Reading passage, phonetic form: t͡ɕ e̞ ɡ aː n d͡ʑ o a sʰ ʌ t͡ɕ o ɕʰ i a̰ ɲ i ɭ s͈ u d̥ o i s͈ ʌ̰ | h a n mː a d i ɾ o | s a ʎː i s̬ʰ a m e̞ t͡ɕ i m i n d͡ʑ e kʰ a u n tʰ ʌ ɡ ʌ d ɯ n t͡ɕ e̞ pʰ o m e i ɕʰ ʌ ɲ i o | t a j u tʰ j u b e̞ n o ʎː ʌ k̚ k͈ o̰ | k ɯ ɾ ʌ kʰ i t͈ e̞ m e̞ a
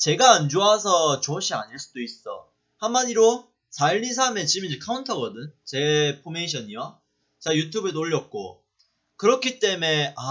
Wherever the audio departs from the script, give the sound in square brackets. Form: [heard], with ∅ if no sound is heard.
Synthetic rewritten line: t͡ɕ e̞ ɡ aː n d͡ʑ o a sʰ ʌ t͡ɕ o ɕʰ i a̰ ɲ i ɭ s͈ u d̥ o i s͈ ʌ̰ | h a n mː a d i ɾ o | s a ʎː i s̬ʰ a m e̞ t͡ɕ i m i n d͡ʑ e kʰ a u n tʰ ʌ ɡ ʌ d ɯ n t͡ɕ e̞ pʰ o m e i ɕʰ ʌ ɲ i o | [t͡ɕ] a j u tʰ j u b e̞ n o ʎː ʌ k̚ k͈ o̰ | k ɯ ɾ ʌ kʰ i t͈ e̞ m e̞ a